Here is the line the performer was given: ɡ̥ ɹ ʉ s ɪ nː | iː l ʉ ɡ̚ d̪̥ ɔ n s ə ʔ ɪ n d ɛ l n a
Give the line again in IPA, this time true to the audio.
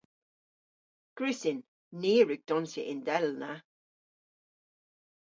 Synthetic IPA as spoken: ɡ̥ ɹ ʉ s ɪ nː | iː ɹ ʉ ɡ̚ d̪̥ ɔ n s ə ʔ ɪ n d ɛ l n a